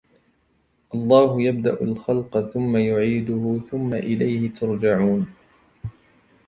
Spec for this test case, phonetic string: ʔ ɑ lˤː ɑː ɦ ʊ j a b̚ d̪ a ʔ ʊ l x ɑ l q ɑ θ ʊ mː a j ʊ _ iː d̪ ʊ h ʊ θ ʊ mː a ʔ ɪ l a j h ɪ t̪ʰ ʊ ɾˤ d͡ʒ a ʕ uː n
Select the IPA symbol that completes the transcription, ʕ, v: ʕ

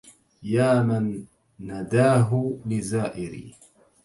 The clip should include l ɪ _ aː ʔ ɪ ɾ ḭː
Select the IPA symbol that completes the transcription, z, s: z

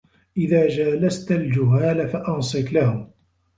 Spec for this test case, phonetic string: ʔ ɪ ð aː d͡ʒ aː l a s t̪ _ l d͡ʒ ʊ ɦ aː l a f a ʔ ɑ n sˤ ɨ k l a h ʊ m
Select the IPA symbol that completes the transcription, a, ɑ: a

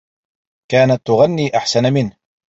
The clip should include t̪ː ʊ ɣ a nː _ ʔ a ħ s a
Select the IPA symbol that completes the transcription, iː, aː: iː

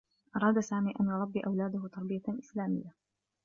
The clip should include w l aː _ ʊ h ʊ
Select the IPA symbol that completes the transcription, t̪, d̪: d̪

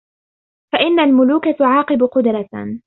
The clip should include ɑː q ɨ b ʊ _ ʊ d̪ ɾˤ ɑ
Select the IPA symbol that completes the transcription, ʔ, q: q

